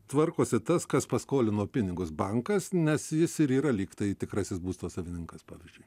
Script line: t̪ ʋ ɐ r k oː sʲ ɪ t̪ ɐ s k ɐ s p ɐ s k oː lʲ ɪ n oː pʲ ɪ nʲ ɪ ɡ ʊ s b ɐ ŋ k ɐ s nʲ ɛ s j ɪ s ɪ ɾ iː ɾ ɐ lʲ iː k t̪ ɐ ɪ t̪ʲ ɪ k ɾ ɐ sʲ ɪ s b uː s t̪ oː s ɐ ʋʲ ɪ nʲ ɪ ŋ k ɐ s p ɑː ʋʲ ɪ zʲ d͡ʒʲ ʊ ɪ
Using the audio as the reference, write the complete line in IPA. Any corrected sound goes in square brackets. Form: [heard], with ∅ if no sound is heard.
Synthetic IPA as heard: t̪ ʋ ɐ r k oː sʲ ɪ t̪ ɐ s k ɐ s p ɐ s k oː lʲ ɪ n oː pʲ ɪ nʲ ɪ ɡ ʊ s b ɐ ŋ k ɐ s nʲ ɛ s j ɪ s ɪ ɾ iː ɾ ɐ lʲ iː k t̪ ɐ ɪ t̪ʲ ɪ k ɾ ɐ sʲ ɪ s b uː s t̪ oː s ɐ ʋʲ ɪ nʲ ɪ ŋ k ɐ s p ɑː ʋʲ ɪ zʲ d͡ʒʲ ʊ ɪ